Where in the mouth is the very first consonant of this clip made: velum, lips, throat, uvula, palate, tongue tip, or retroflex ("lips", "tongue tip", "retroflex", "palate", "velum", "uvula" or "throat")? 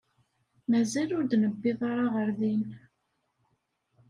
lips